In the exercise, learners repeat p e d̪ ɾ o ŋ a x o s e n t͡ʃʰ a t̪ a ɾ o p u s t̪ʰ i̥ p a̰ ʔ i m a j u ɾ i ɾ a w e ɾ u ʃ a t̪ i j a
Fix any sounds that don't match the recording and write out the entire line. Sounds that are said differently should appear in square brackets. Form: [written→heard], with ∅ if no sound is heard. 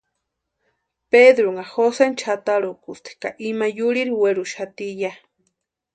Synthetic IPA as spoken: p e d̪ ɾ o ŋ a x o s e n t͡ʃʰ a t̪ a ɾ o [p→k] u s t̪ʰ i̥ [p→k] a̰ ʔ i m a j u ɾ i ɾ [a→i] w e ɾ u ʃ a t̪ i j a